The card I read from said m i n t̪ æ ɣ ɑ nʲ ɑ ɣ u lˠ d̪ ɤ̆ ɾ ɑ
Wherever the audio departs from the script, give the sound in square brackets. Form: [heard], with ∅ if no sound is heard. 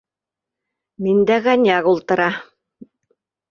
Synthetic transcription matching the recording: m i n [d̪] æ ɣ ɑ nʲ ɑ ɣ u lˠ [t̪] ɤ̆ ɾ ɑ